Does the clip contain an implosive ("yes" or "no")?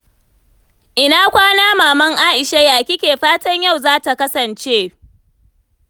no